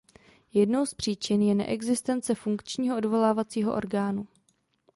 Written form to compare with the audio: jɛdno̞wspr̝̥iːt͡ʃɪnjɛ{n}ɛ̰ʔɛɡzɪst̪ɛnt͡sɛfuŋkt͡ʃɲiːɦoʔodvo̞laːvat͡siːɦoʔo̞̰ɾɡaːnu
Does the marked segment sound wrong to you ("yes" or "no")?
no